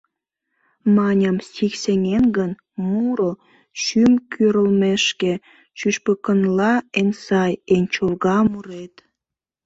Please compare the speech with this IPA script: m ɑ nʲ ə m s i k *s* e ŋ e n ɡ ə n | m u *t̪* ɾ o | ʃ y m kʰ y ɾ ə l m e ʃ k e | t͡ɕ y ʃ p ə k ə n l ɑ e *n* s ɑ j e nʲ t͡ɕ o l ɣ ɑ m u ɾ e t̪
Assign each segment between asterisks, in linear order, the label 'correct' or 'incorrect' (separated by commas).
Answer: correct, incorrect, correct